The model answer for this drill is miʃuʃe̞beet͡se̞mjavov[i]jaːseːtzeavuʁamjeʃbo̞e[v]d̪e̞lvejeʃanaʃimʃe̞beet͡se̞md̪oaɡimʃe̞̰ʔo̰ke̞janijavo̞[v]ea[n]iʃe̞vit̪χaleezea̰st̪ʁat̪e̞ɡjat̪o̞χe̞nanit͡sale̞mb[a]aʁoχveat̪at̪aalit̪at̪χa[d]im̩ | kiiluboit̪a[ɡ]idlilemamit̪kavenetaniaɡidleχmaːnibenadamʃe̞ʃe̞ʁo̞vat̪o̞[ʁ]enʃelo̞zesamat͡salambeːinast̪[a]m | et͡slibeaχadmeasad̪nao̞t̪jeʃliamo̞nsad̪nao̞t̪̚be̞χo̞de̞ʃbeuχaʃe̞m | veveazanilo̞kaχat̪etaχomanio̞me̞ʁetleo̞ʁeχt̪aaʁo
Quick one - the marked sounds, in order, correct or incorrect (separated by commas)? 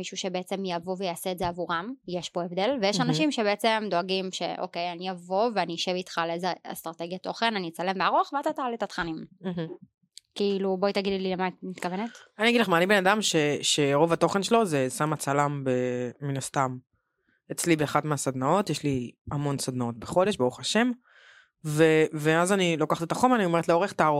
incorrect, correct, correct, correct, incorrect, incorrect, correct, incorrect, correct